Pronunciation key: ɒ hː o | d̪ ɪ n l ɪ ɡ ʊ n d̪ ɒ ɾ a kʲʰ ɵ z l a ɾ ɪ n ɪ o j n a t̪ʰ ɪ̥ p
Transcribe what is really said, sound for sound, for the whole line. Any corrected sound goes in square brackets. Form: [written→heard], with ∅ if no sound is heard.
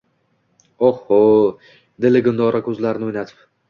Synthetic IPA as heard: [ɒ→o] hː o | d̪ ɪ [n→∅] l ɪ ɡ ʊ n d̪ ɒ ɾ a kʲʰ ɵ z l a ɾ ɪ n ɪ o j n a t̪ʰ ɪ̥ p